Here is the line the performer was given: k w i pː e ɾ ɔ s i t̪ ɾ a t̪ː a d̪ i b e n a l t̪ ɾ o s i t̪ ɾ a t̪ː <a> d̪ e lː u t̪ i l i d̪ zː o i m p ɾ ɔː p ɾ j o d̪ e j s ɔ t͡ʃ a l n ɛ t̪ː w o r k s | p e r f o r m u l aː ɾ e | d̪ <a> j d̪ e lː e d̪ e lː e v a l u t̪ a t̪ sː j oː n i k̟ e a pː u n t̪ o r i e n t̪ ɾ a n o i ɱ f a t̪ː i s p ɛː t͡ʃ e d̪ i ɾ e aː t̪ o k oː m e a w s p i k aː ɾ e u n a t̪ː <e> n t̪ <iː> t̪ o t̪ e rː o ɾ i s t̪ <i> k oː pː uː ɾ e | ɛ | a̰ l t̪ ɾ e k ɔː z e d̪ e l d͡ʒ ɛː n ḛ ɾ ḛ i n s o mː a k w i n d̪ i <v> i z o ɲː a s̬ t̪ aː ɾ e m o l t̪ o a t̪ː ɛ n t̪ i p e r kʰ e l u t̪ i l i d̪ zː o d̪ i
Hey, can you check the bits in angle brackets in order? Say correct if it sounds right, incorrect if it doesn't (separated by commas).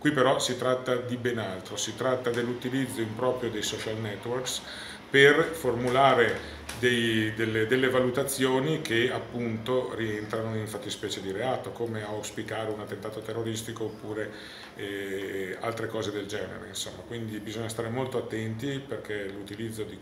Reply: correct, incorrect, correct, incorrect, correct, incorrect